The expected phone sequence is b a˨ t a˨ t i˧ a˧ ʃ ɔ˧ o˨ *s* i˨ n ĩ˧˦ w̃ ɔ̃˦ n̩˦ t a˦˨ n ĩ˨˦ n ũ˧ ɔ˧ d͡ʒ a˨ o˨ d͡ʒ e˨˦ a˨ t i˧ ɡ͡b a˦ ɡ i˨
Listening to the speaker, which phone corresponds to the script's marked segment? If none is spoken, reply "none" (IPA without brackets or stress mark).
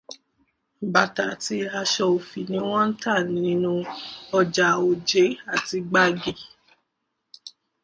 f